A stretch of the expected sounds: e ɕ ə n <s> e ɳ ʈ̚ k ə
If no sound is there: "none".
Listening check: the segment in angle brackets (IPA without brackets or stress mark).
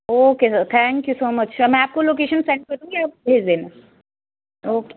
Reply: s